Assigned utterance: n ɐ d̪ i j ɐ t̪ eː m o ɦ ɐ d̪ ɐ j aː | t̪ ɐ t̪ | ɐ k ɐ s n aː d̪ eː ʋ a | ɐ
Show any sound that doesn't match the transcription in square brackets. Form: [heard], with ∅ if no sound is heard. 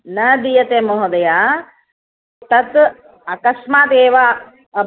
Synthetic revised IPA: n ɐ d̪ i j ɐ t̪ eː m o ɦ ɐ d̪ ɐ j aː | t̪ ɐ t̪ | ɐ k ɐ s [m] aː [t̪] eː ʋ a | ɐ